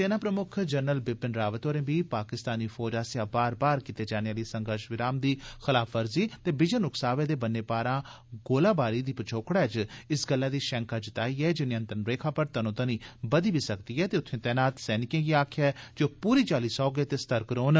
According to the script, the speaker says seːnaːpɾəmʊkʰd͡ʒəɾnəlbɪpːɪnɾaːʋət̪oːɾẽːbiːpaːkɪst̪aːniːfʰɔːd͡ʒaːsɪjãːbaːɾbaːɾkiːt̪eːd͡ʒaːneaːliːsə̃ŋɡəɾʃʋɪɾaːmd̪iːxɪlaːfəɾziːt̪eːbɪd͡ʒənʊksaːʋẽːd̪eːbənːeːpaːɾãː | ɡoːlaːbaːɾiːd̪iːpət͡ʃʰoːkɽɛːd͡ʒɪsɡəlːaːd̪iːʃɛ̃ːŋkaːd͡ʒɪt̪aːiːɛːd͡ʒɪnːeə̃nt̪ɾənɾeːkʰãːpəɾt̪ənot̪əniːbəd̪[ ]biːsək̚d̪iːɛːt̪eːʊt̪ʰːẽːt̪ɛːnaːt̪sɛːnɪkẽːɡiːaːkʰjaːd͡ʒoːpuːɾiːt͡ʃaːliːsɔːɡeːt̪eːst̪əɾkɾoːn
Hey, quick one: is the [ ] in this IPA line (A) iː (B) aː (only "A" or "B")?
A